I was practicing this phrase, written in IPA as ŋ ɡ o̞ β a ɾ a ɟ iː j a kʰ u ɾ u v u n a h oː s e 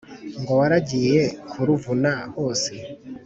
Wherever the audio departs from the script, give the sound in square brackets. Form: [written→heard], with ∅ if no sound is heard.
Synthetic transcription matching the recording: ŋ ɡ o̞ [β→w] a ɾ a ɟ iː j [a→e] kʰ u ɾ u v u n a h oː s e